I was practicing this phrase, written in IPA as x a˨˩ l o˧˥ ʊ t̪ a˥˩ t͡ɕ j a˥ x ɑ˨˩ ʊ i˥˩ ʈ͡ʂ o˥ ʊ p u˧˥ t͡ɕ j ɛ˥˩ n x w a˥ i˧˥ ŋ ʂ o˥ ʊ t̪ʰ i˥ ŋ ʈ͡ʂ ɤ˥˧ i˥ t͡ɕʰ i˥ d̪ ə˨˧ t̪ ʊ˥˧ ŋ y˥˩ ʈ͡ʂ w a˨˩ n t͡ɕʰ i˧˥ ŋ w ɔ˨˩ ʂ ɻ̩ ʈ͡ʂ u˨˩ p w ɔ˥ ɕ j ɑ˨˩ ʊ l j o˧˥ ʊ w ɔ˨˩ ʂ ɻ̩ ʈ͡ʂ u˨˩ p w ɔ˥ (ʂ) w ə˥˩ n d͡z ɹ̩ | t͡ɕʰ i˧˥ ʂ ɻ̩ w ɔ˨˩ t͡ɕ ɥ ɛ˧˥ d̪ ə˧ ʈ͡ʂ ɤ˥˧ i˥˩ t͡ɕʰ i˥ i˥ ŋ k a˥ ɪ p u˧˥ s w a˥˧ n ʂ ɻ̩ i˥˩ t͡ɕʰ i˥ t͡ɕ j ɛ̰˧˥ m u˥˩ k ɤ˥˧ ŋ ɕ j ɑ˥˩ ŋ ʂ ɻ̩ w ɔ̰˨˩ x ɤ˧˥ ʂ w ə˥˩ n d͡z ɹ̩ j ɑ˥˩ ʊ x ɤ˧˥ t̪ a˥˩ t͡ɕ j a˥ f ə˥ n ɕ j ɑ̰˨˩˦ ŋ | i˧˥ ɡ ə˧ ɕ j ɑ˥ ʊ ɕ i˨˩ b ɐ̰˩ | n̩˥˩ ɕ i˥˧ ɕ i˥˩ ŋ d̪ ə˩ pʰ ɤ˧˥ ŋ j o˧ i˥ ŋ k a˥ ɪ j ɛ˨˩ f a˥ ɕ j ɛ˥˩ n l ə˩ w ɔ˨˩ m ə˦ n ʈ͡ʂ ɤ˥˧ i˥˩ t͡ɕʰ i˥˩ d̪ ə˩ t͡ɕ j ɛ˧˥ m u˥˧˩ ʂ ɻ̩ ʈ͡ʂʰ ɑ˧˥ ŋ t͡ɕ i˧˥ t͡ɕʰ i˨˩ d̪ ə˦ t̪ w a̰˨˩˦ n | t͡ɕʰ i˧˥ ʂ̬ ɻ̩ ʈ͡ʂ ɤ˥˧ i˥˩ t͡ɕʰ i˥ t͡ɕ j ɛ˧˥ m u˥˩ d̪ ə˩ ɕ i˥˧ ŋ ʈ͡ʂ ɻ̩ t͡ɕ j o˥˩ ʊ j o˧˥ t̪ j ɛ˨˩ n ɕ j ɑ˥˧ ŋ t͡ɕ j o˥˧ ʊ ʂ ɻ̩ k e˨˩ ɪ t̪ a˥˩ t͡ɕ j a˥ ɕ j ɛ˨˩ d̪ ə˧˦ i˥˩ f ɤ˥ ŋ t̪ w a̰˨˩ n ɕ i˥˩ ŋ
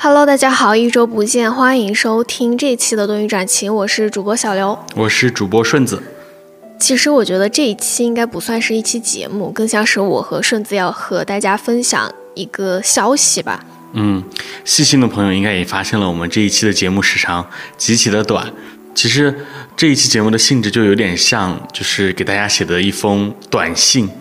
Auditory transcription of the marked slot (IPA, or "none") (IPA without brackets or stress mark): ʂ